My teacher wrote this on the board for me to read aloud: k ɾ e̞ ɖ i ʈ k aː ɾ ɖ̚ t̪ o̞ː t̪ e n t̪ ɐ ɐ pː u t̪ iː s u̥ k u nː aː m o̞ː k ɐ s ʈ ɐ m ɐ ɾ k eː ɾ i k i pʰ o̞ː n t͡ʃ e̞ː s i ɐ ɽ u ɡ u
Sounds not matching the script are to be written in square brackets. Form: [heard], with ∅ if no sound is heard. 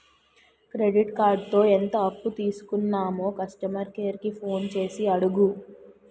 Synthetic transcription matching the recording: k ɾ e̞ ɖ i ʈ k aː ɾ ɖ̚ t̪ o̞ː [∅] e n t̪ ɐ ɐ pː u t̪ iː s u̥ k u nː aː m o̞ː k ɐ s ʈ ɐ m ɐ ɾ k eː ɾ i k i pʰ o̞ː n t͡ʃ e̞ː s i ɐ ɽ u ɡ u